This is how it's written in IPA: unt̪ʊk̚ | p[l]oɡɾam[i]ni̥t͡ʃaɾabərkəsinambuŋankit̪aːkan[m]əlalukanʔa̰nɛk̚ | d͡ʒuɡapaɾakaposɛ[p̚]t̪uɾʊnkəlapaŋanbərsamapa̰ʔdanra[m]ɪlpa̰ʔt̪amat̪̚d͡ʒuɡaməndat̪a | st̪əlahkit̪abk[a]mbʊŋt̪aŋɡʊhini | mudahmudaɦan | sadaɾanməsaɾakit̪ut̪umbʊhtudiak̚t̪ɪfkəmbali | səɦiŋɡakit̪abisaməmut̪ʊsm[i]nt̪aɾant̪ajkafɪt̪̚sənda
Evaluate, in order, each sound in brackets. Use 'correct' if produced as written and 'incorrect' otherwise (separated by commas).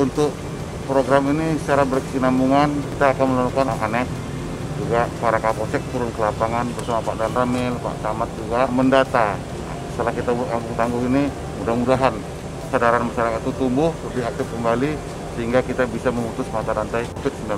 incorrect, correct, correct, incorrect, correct, correct, incorrect